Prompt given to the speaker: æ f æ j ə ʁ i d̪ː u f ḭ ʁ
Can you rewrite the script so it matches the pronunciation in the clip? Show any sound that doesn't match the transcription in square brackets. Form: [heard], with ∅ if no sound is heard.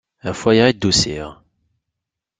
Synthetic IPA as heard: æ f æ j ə ʁ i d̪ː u [s] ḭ ʁ